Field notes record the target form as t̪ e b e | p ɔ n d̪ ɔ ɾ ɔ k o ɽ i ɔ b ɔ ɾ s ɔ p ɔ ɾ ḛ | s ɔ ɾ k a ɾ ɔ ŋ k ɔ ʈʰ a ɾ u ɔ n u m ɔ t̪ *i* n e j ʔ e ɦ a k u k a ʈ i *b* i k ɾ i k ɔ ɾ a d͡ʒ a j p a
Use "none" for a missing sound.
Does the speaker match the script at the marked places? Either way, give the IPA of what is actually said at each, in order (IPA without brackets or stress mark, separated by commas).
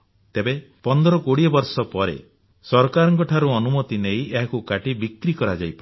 i, b